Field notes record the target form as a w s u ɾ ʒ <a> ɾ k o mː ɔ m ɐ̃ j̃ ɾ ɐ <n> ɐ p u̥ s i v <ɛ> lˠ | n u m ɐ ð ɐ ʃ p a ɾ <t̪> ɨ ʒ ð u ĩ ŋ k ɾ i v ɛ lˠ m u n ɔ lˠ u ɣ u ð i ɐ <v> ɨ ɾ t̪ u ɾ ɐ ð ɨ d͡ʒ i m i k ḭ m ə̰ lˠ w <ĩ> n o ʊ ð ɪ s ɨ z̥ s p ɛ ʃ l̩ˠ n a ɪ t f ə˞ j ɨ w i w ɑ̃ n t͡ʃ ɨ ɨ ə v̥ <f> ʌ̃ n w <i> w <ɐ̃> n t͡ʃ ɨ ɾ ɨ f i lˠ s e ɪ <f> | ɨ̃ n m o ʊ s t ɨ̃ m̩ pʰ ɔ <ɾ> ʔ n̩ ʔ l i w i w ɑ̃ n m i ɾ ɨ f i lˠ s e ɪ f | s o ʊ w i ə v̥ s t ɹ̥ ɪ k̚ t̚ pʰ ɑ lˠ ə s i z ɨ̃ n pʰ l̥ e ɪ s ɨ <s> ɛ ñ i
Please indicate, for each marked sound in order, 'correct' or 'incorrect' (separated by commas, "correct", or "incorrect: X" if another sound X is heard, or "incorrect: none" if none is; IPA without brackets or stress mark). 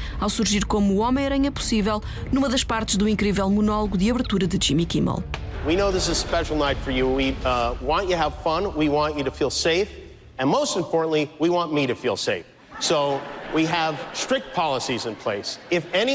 incorrect: i, incorrect: ɲ, correct, correct, incorrect: β, incorrect: i, correct, correct, incorrect: ɑ̃, correct, incorrect: ɹ, incorrect: f